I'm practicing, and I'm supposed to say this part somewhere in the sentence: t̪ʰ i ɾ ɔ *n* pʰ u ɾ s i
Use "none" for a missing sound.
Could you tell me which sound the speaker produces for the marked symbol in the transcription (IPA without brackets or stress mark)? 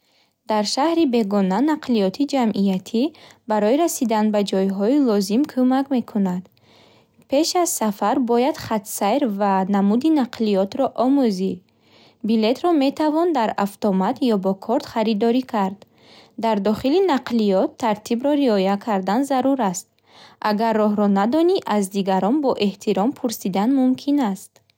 m